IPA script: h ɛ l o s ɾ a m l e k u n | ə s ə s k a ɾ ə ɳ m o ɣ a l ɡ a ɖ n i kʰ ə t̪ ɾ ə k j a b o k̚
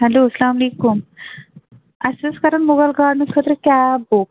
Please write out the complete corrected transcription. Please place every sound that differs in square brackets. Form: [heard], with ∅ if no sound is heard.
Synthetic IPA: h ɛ l o s [l] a m l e k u [m] | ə s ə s k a ɾ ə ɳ m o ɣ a l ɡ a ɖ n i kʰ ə t̪ ɾ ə k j a b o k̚